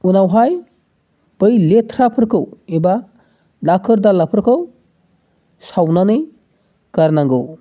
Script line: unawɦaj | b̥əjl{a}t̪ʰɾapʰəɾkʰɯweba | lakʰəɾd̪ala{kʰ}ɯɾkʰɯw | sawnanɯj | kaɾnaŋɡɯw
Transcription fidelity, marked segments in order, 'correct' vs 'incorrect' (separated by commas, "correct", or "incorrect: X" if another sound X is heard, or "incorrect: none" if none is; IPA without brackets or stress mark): incorrect: e, incorrect: pʰ